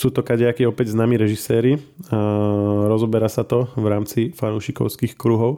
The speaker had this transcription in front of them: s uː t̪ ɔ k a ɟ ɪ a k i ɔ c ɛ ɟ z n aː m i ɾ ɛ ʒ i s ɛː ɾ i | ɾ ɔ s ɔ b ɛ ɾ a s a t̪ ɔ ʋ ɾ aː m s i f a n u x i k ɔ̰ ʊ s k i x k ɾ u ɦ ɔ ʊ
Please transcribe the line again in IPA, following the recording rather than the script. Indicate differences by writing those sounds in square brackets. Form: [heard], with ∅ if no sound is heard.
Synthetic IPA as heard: s uː t̪ ɔ k a ɟ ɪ a k i ɔ [p] ɛ ɟ z n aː m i ɾ ɛ ʒ i s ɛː ɾ i | ɾ ɔ [z] ɔ b ɛ ɾ a s a t̪ ɔ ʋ ɾ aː m [t͡s] i f a n u [ʃ] i k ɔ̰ ʊ s k i x k ɾ u ɦ ɔ ʊ